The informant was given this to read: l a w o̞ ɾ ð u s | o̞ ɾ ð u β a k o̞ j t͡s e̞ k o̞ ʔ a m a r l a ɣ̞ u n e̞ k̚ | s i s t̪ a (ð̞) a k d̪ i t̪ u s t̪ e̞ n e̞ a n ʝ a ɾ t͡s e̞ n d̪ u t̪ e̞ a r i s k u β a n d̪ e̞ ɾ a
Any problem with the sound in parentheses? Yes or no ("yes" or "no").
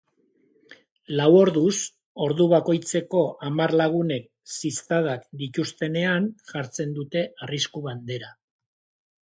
no